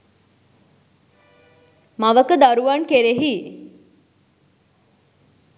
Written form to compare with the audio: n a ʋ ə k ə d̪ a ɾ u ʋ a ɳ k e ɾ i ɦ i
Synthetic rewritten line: m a ʋ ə k ə d̪ a ɾ u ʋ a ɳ k e ɾ e ɦ i